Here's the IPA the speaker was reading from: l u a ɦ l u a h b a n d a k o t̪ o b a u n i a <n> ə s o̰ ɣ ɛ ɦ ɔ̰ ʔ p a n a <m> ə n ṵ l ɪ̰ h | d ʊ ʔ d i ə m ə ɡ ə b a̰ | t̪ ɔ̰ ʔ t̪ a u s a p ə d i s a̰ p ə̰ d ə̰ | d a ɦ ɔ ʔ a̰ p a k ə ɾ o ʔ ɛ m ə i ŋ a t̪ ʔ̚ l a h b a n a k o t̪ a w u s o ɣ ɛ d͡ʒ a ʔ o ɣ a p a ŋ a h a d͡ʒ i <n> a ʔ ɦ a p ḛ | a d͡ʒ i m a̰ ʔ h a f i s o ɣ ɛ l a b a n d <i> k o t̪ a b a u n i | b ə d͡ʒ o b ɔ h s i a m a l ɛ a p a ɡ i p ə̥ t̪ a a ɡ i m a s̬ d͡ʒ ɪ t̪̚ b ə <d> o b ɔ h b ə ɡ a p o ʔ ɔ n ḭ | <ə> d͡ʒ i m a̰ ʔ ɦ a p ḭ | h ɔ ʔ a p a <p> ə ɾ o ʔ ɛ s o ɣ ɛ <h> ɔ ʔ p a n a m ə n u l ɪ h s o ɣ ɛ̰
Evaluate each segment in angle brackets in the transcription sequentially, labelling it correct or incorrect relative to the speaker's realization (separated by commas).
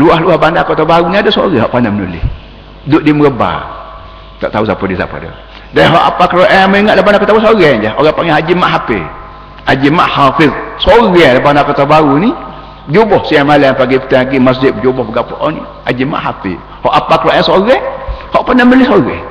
incorrect, correct, incorrect, incorrect, incorrect, incorrect, incorrect, correct